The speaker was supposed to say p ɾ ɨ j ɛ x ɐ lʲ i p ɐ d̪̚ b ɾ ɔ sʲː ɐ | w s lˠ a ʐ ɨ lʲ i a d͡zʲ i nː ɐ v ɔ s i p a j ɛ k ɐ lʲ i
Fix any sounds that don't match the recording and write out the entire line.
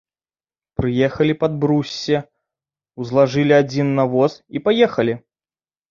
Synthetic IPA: p ɾ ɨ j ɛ x ɐ lʲ i p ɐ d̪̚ b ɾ u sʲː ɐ | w z lˠ a ʐ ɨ lʲ i a d͡zʲ i nː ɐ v ɔ s i p a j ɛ x ɐ lʲ i